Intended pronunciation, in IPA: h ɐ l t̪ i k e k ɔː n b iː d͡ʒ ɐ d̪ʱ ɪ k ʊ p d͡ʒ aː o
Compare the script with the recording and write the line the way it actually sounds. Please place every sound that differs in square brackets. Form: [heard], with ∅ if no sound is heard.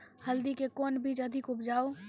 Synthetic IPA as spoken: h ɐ l [d̪] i k e k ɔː n b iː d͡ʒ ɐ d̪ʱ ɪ k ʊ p d͡ʒ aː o